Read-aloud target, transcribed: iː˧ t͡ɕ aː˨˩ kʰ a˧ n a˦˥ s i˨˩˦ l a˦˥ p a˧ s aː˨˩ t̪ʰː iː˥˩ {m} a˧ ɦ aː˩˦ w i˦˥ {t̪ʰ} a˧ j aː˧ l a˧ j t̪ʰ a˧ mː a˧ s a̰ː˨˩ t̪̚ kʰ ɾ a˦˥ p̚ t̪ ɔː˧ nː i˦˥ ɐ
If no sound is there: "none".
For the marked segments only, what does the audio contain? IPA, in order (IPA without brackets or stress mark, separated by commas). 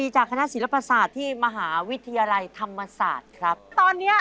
m, t̪ʰ